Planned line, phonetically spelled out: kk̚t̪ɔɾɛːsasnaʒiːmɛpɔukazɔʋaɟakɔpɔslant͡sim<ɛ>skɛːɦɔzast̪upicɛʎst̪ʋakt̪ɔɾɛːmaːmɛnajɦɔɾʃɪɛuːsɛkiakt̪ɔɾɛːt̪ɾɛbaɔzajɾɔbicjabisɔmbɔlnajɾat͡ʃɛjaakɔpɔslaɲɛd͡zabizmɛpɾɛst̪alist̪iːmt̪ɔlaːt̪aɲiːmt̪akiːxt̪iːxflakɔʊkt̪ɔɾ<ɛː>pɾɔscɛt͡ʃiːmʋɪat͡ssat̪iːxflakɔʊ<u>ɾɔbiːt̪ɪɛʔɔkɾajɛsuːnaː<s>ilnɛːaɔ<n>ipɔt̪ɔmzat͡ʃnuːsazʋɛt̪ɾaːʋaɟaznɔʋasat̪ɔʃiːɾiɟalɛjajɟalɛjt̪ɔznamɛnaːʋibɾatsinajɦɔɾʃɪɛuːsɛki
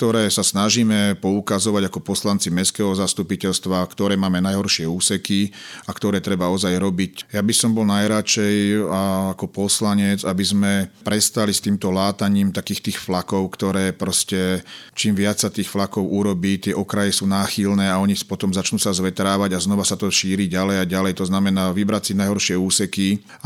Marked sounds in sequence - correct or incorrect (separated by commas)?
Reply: correct, correct, correct, incorrect, incorrect